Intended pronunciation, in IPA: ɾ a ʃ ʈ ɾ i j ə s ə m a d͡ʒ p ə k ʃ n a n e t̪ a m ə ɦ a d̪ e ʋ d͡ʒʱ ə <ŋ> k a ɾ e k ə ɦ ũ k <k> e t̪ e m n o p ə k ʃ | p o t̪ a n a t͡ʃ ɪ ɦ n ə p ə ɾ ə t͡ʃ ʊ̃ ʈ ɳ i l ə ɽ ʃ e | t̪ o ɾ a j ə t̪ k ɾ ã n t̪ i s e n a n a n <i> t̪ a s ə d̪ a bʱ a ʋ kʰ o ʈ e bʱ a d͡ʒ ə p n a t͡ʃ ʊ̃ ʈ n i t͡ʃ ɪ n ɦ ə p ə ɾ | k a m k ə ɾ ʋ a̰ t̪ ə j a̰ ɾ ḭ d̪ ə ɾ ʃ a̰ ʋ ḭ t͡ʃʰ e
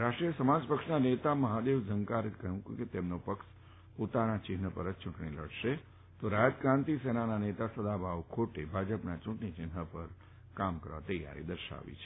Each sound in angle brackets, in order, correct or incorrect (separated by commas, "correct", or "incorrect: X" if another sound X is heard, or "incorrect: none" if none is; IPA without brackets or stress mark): correct, correct, incorrect: e